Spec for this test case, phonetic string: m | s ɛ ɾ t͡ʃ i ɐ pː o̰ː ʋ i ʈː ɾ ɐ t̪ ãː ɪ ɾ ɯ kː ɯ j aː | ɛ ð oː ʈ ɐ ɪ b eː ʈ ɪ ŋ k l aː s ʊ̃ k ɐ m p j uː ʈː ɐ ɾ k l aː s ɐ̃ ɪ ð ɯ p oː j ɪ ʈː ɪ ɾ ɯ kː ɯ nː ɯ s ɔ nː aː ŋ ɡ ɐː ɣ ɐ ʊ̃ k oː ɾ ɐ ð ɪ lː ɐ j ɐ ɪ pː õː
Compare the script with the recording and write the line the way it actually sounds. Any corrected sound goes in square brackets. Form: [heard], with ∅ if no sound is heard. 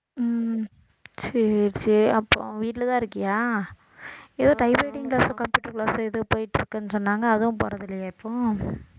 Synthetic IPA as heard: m | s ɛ ɾ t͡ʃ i ɐ pː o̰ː ʋ [iː] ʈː [l] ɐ t̪ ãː ɪ ɾ ɯ kː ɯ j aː | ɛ ð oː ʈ ɐ ɪ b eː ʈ ɪ ŋ k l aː s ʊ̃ k ɐ m p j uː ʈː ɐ ɾ k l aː s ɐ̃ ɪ ð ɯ p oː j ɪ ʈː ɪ ɾ ɯ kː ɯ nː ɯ s ɔ nː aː ŋ ɡ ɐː [ð] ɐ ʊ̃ [p] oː ɾ ɐ ð ɪ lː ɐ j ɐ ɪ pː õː